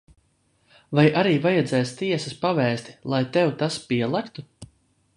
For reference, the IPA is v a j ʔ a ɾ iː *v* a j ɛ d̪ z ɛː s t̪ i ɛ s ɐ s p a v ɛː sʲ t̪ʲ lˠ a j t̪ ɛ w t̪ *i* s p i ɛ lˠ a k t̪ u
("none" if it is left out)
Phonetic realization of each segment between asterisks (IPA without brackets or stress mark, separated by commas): v, a